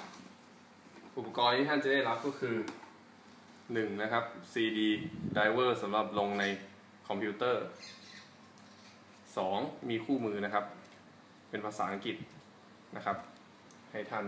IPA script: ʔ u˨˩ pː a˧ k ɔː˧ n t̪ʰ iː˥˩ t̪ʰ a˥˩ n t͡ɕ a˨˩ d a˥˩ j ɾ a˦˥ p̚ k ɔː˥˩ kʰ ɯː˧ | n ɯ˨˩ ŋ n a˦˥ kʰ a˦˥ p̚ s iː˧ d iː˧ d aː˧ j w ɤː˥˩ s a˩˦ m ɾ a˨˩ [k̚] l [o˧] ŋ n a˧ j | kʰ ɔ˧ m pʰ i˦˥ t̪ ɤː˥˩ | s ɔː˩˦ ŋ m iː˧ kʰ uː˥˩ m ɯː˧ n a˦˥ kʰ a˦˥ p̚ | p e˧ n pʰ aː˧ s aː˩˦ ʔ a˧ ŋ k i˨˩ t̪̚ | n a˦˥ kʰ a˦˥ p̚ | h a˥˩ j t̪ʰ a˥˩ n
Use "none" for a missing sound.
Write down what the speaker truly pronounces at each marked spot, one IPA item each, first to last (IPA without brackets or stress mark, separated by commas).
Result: p̚, o˧